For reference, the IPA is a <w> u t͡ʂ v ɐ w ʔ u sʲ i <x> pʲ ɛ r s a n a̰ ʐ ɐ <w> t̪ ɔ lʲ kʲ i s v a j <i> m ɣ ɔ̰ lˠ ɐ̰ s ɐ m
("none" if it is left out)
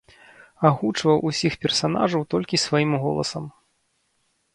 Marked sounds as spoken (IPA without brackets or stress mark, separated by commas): ɣ, x, w, i